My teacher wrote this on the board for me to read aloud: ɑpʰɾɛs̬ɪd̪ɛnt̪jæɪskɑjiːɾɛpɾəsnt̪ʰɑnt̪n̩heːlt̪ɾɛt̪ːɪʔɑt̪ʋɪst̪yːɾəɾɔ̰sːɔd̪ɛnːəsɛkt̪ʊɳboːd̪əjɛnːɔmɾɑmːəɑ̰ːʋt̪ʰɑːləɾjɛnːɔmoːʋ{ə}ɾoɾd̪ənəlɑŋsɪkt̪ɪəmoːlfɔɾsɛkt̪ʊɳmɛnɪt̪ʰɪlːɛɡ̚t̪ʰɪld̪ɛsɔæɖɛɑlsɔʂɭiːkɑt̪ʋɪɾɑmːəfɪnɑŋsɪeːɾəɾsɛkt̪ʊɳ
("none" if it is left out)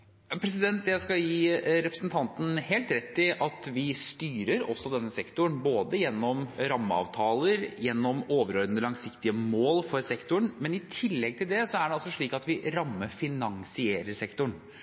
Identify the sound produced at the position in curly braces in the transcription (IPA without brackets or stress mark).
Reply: ə